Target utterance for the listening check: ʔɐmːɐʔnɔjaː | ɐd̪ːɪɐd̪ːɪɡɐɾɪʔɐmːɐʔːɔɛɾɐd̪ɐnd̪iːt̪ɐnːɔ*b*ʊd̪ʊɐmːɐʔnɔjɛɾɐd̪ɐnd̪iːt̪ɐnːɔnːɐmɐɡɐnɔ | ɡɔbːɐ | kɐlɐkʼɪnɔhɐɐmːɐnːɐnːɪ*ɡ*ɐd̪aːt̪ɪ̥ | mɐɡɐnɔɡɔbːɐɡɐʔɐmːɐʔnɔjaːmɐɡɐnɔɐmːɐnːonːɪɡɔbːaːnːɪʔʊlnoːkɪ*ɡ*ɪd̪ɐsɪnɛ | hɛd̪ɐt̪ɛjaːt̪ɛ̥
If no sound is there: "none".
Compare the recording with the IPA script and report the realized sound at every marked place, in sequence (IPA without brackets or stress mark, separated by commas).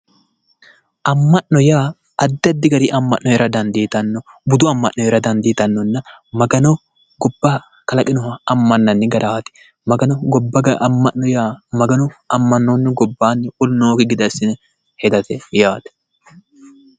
b, ɡ, ɡ